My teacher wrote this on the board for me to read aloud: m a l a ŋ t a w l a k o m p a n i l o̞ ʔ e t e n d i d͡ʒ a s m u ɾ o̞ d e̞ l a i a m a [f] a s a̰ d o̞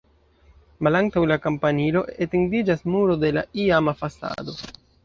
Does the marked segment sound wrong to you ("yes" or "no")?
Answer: no